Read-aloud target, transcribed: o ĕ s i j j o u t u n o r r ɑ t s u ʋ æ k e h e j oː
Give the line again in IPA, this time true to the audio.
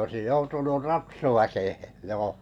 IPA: o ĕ s i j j o u t u n u r r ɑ t s u ʋ æ k e h e j oː